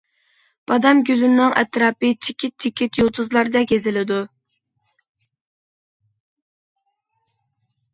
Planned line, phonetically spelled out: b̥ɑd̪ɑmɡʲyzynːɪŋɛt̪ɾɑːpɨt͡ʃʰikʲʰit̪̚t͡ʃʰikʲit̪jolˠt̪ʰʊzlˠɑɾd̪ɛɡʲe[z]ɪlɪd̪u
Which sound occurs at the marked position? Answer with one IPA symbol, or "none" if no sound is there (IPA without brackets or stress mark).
z